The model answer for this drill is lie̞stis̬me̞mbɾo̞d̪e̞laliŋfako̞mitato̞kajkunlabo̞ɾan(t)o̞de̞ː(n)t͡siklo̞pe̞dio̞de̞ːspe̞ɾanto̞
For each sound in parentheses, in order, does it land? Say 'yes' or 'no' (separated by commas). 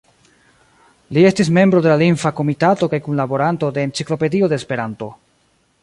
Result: yes, yes